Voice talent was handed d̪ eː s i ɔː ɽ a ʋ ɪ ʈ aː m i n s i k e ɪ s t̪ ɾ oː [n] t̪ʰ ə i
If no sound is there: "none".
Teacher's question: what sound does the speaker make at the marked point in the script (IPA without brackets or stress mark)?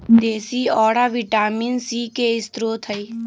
none